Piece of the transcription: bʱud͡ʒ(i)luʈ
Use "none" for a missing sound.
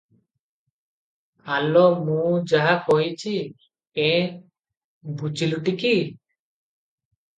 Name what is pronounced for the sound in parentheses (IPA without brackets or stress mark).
i